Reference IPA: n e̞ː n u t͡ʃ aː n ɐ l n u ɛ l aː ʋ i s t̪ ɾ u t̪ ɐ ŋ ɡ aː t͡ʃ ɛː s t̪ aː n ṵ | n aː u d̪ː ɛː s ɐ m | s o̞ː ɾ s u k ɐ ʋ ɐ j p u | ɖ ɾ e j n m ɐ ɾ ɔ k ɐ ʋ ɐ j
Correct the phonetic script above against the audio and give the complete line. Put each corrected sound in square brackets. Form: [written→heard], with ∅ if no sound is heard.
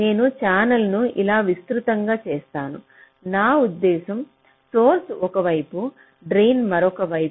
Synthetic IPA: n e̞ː n u t͡ʃ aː n ɐ l n u [ɛ→i] l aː ʋ i s t̪ ɾ u t̪ ɐ ŋ ɡ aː t͡ʃ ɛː s t̪ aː n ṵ | n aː u d̪ː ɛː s ɐ m | s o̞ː ɾ s [u→ɔ] k ɐ ʋ ɐ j p u | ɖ ɾ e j n m ɐ ɾ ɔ k ɐ ʋ ɐ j